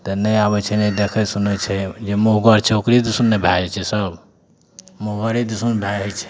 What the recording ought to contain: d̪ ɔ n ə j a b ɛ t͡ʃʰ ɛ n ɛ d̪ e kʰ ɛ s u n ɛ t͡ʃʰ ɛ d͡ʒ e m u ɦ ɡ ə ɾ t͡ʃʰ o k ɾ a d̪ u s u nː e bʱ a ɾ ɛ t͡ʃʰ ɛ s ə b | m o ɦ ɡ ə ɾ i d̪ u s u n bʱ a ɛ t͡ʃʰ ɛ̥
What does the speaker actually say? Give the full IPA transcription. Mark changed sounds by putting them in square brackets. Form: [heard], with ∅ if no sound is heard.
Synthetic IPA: [t̪] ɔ n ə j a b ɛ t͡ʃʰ ɛ n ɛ d̪ e kʰ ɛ s u n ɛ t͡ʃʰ ɛ d͡ʒ e m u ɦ ɡ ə ɾ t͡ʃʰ o k ɾ [i] d̪ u s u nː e bʱ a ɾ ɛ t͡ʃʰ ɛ s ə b | m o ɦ ɡ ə ɾ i d̪ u s u n bʱ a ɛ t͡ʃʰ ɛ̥